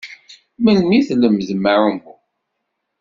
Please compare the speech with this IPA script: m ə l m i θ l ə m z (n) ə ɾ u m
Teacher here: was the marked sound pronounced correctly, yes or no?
no